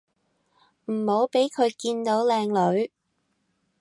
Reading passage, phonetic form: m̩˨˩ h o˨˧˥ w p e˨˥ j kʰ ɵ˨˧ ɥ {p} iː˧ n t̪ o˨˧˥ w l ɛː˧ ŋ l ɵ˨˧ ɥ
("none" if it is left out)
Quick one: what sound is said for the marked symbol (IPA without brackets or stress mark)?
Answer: k